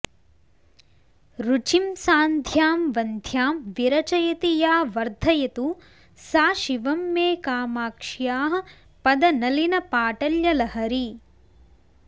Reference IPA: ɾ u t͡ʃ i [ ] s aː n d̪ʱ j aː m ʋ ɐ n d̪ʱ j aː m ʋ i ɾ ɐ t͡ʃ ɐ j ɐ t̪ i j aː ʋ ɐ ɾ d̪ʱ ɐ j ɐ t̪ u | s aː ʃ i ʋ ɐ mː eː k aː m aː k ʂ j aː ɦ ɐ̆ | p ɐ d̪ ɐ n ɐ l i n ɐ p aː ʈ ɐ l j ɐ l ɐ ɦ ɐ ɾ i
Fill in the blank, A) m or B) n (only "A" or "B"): A